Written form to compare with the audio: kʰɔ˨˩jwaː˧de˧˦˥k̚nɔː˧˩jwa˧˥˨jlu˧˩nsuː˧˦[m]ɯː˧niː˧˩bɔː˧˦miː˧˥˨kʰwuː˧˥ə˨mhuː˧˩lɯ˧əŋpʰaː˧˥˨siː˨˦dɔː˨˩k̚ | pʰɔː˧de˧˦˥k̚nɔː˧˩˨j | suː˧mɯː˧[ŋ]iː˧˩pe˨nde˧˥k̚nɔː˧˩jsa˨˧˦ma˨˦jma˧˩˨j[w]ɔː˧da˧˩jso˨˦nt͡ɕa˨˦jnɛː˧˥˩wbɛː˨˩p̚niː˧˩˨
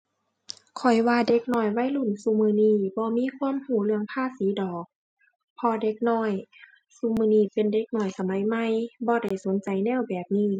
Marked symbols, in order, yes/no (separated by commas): yes, no, no